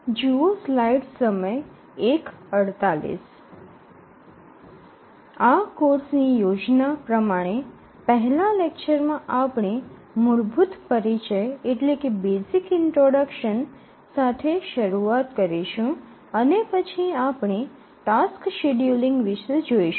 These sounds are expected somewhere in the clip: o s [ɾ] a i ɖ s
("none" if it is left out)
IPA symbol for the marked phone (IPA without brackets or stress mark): l